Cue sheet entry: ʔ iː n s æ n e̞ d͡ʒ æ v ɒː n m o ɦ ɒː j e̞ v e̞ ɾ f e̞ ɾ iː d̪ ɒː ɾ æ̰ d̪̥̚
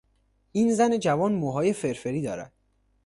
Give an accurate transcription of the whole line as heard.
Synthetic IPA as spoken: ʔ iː n z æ n e̞ d͡ʒ æ v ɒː n m o ɦ ɒː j e̞ f e̞ ɾ f e̞ ɾ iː d̪ ɒː ɾ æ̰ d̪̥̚